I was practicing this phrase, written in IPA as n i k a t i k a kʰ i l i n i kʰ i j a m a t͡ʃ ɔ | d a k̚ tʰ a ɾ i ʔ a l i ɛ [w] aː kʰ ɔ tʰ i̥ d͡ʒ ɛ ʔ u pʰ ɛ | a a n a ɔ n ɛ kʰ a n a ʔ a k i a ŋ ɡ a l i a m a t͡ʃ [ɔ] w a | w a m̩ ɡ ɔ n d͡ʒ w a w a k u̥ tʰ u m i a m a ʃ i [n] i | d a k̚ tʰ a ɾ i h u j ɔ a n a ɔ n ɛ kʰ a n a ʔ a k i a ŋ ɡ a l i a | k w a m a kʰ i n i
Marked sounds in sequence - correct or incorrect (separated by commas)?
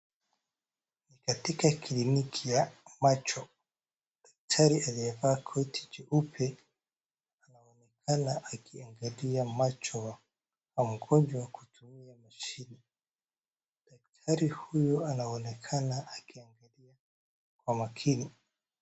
incorrect, correct, correct